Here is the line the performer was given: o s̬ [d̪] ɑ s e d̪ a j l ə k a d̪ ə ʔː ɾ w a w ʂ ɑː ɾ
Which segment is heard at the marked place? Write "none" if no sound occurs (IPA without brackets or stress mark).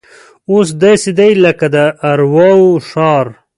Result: d̪